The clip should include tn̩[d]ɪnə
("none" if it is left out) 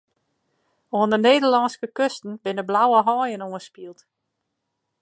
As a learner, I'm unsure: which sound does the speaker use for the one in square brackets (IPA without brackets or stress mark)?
b